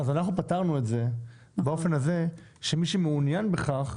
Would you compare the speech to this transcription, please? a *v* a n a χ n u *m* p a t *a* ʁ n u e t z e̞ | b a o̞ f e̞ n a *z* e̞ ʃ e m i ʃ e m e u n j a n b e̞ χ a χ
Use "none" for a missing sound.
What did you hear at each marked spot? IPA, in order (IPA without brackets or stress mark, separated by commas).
z, none, a, z